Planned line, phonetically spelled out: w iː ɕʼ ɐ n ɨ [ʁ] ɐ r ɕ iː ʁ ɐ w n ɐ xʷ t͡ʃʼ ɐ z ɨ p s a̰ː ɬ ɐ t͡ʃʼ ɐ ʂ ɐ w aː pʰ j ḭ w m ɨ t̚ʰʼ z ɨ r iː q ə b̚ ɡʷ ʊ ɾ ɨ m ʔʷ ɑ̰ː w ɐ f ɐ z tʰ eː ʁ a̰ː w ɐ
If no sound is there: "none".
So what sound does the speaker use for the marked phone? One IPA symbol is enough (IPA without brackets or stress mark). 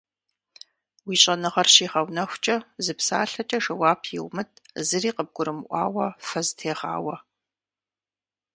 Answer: ʁ